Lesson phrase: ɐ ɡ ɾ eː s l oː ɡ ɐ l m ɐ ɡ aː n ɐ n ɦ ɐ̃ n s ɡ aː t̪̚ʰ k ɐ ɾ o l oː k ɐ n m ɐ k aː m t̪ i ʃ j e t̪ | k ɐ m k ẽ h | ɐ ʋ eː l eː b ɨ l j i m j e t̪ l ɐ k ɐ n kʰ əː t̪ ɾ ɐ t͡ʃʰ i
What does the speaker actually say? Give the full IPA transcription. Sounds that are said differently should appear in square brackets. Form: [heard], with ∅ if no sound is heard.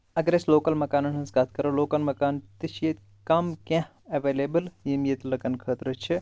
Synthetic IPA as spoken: ɐ ɡ ɾ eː s l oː [k] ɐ l m ɐ [k] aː n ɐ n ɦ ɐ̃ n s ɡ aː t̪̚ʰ k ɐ ɾ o l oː k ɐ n m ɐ k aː [n] t̪ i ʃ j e t̪ | k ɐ m k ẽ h | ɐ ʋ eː l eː b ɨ l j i m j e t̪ l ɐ k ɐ n kʰ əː t̪ ɾ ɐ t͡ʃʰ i